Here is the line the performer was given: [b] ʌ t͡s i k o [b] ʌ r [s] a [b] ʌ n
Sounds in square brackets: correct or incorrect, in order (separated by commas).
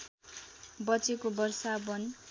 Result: correct, correct, correct, correct